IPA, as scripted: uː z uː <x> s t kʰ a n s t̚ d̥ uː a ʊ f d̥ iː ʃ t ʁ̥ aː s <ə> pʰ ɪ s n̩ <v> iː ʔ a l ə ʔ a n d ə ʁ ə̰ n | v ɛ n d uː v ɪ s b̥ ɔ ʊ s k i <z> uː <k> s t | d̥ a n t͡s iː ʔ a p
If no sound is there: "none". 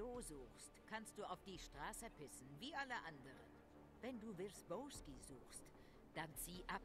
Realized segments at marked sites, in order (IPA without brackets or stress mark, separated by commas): x, ə, v, z, x